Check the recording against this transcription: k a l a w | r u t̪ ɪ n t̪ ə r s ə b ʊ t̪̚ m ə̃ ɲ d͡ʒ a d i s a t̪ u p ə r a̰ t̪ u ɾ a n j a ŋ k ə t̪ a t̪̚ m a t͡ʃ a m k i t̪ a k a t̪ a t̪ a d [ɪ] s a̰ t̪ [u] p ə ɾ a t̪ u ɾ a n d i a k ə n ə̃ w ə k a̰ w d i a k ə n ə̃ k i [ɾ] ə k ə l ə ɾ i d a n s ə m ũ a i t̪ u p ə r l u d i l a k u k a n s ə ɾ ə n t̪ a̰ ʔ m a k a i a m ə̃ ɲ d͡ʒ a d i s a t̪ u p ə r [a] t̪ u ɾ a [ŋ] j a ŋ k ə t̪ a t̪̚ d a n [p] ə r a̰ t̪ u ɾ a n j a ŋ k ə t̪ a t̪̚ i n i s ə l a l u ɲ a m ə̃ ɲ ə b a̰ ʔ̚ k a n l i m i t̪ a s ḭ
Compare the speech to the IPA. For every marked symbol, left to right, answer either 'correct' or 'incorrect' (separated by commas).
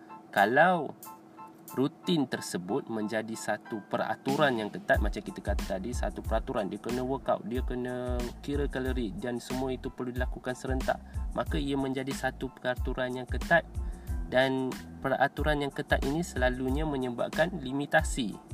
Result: incorrect, correct, correct, correct, incorrect, correct